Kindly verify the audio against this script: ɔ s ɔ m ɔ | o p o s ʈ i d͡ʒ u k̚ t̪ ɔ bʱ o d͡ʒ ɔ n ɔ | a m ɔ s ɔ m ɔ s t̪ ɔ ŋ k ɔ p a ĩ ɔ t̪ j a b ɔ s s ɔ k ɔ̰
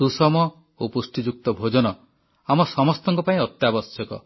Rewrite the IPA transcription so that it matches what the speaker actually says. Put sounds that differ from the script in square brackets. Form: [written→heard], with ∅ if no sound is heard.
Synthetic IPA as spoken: [ɔ→u] s ɔ m ɔ | o p [o→u] s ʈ i d͡ʒ u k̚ t̪ ɔ bʱ o d͡ʒ ɔ n ɔ | a m ɔ s ɔ m ɔ s t̪ ɔ ŋ k ɔ p a ĩ ɔ t̪ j a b ɔ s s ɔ k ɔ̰